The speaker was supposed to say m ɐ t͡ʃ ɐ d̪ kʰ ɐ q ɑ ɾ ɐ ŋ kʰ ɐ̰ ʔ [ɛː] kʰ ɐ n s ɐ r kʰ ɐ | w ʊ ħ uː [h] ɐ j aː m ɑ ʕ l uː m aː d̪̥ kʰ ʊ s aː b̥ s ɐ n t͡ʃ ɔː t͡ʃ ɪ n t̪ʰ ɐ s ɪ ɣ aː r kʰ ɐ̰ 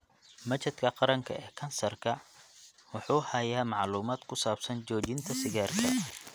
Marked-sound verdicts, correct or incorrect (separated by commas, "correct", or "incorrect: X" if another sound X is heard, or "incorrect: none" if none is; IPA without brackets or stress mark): correct, correct